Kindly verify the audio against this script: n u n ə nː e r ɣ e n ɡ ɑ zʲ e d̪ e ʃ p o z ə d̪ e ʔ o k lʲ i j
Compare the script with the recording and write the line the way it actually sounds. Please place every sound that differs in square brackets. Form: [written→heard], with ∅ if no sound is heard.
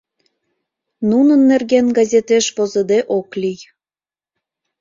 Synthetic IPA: n u n ə nː e r ɣ e n ɡ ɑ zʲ e [d̪→t̪] e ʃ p o z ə d̪ e ʔ o k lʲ i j